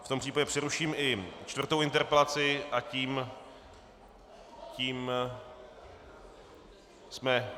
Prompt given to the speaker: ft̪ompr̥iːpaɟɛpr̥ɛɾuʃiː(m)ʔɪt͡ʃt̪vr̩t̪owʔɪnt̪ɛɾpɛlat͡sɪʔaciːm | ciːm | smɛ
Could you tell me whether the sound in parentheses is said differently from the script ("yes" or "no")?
no